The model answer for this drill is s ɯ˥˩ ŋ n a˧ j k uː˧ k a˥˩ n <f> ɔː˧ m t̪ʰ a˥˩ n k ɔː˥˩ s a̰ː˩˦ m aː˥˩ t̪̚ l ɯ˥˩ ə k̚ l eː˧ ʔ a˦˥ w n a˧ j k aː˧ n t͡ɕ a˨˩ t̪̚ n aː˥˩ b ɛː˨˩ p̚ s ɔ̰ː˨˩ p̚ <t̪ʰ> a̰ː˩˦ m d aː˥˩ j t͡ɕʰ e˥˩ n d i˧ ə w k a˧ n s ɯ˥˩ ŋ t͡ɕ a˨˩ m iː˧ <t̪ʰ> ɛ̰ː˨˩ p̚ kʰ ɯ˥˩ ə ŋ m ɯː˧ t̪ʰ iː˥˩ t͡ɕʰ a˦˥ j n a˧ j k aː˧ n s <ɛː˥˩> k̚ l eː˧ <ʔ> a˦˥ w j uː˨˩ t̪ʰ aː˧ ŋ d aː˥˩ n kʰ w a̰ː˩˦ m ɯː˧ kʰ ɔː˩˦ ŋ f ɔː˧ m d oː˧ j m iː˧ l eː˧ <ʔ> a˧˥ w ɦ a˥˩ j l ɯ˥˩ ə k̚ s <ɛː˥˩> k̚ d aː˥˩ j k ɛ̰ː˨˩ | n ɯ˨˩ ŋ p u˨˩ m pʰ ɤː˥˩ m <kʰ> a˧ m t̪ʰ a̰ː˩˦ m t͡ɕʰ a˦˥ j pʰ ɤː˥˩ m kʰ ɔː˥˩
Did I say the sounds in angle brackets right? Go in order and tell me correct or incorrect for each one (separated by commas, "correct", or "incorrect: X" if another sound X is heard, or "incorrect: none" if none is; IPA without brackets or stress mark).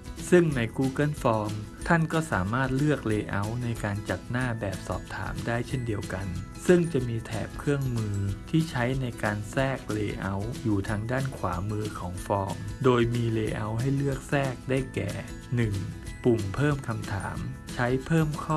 correct, correct, correct, correct, correct, correct, correct, correct